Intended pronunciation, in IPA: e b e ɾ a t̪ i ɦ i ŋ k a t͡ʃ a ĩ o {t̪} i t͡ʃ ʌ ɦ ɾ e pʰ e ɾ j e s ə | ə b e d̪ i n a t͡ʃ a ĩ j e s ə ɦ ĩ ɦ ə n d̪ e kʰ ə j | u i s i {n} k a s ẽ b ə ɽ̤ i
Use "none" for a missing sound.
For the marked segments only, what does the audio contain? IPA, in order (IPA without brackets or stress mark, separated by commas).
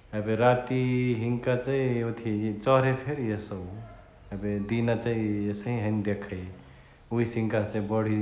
t̪ʰ, ŋ